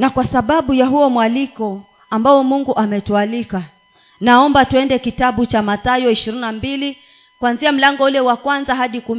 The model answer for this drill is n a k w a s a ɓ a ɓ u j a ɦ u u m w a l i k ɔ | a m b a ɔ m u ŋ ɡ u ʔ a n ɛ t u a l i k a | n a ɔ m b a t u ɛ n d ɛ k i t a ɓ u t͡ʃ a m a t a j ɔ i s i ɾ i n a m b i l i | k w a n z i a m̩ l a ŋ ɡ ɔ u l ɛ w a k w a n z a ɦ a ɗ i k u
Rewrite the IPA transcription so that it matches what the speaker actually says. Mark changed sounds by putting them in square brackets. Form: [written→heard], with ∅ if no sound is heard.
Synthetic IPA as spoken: n a k w a s a ɓ a ɓ u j a ɦ u [u→ɔ] m w a l i k ɔ | a m b a ɔ m u ŋ ɡ u ʔ a [n→m] ɛ t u a l i k a | n a ɔ m b a t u ɛ n d ɛ k i t a ɓ u t͡ʃ a m a t a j ɔ i [s→ʃ] i ɾ i n a m b i l i | k w a n z i a m̩ l a ŋ ɡ ɔ u l ɛ w a k w a n z a ɦ a ɗ i k u